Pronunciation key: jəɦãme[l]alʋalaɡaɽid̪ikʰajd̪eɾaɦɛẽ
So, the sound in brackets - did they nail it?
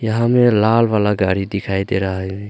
yes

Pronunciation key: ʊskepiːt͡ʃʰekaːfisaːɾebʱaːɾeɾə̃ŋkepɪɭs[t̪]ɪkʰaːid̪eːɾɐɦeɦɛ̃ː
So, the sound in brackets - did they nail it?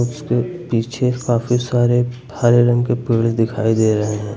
no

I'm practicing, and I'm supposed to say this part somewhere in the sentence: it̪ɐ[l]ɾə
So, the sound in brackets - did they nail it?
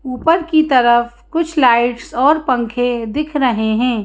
no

